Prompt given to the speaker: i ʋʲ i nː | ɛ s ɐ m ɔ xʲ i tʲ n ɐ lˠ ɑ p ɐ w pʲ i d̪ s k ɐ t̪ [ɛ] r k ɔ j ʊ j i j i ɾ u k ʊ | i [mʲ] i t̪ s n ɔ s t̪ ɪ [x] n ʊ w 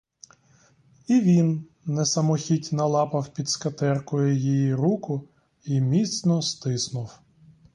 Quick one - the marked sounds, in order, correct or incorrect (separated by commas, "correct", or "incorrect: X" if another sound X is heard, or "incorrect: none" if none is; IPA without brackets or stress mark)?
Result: correct, correct, incorrect: s